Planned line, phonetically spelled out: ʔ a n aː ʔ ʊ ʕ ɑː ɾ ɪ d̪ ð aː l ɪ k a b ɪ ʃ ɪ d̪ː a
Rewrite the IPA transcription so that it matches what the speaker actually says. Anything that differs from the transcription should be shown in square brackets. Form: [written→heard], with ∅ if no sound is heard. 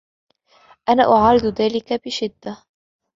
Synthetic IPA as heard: ʔ a n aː ʔ ʊ ʕ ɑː ɾ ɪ d̪ ð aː l ɪ k a b ɪ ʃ ɪ d̪ː a